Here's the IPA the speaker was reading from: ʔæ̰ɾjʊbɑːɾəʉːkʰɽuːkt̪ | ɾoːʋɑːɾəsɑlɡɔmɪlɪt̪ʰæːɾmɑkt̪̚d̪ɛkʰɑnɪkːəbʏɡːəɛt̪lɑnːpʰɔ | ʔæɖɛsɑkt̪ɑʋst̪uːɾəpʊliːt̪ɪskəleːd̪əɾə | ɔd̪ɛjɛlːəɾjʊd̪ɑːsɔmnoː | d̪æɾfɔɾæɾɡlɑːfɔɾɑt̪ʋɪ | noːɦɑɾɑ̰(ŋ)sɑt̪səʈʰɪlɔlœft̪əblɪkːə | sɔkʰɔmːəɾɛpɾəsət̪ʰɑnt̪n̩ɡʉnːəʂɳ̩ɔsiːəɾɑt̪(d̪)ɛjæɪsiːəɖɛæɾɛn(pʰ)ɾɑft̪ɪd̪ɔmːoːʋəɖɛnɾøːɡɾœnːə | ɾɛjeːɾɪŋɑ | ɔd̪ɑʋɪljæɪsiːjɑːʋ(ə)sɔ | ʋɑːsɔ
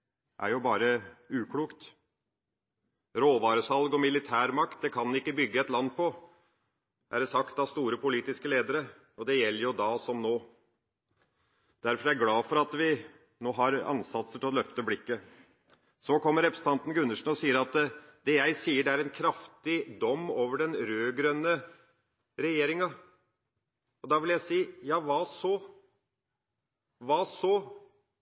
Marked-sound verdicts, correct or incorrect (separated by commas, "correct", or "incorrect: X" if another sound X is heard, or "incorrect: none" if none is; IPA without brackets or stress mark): incorrect: n, correct, incorrect: kʰ, incorrect: ɑ